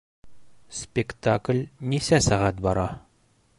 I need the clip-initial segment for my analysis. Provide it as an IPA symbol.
s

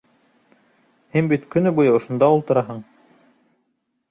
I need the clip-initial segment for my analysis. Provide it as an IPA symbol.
h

